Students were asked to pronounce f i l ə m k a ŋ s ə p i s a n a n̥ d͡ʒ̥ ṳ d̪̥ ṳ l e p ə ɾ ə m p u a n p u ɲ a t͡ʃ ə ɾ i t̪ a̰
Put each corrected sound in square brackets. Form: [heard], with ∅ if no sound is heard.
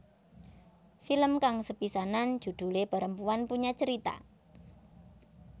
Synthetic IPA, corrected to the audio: f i l ə m k a ŋ s ə p i s a n a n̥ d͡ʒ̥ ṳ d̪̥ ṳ l e p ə ɾ ə m p u a n p u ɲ a t͡ʃ ə ɾ i t̪ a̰